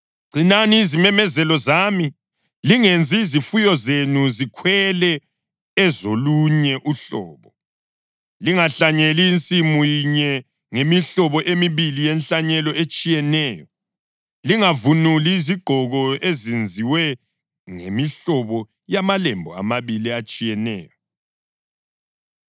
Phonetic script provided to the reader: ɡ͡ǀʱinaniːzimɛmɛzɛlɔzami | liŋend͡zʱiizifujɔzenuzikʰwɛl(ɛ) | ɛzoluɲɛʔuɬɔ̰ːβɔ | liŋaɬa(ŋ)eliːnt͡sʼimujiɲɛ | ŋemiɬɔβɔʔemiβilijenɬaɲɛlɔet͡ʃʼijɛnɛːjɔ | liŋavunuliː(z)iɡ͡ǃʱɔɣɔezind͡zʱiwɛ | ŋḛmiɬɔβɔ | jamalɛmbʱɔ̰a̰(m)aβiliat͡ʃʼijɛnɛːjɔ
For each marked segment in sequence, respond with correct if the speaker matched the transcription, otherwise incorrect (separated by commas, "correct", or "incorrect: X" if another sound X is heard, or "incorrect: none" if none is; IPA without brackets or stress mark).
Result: correct, incorrect: ɲ, correct, correct